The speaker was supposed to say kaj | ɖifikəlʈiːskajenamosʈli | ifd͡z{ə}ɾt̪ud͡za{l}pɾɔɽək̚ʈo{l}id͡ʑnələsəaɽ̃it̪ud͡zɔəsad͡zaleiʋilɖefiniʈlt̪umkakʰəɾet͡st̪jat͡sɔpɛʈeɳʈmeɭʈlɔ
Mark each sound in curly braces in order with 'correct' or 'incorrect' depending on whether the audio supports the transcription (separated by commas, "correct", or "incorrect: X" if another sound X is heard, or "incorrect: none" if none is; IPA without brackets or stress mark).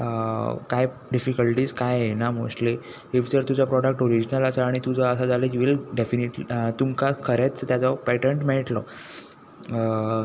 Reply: correct, incorrect: none, incorrect: ɾ